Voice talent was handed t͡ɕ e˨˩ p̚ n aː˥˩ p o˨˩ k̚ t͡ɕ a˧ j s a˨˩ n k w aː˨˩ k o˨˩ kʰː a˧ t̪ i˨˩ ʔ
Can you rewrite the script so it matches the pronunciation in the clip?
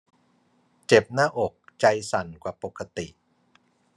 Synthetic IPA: t͡ɕ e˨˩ p̚ n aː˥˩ ʔ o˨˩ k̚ t͡ɕ a˧ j s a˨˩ n k w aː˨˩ p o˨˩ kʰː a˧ t̪ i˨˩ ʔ

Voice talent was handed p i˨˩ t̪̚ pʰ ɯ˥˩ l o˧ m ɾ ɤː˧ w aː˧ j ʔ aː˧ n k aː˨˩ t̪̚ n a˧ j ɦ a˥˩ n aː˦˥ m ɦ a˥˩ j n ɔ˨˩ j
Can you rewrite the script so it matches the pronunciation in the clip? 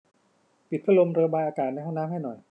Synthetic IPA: p i˨˩ t̪̚ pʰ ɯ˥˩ l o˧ m ɾ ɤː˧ b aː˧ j ʔ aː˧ k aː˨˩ t̪̚ n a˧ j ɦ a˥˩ n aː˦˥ m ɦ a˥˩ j n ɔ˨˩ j

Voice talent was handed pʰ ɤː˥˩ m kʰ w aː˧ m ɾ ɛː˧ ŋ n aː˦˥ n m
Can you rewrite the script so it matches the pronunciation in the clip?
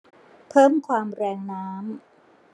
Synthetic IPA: pʰ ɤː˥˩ m kʰ w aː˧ m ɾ ɛː˧ ŋ n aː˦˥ m

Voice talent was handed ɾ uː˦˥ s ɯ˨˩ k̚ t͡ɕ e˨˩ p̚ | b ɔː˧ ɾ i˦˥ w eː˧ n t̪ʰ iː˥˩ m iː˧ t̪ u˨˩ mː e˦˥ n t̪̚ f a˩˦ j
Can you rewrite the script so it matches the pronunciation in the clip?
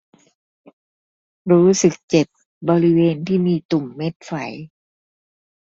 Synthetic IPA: ɾ uː˦˥ s ɯ˨˩ k̚ t͡ɕ e˨˩ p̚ | b ɔː˧ ɾ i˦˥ w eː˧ n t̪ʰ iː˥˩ m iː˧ t̪ u˨˩ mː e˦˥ t̪̚ f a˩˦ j

